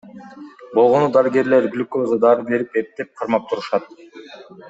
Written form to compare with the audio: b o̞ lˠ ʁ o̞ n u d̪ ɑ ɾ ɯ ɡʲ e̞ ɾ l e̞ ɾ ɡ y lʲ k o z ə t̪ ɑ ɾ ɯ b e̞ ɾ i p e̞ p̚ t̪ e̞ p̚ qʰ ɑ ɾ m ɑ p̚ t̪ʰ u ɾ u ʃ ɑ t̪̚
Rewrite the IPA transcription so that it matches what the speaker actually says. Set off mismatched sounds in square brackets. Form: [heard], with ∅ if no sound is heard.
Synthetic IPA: b o̞ lˠ ʁ o̞ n u d̪ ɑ ɾ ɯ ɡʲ e̞ ɾ l e̞ ɾ ɡ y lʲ k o z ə [d̪] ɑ ɾ ɯ b e̞ ɾ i p e̞ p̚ t̪ e̞ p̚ qʰ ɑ ɾ m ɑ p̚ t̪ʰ u ɾ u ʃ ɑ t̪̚